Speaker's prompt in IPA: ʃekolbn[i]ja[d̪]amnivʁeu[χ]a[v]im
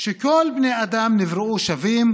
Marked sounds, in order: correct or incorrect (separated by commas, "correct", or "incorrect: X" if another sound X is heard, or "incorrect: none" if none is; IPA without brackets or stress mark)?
incorrect: e, correct, incorrect: ʃ, correct